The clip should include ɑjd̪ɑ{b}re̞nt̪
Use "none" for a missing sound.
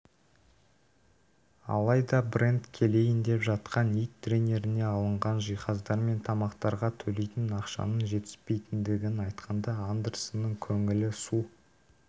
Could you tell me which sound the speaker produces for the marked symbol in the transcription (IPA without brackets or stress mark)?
b